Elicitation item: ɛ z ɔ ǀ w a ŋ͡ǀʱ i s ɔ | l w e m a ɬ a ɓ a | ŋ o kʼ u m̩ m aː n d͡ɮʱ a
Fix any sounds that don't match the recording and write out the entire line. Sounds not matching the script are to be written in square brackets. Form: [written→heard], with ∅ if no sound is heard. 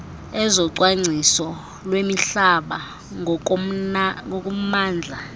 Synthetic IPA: ɛ z ɔ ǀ w a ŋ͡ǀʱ i s ɔ | l w e m [a→i] ɬ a ɓ a | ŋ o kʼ u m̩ m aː n d͡ɮʱ a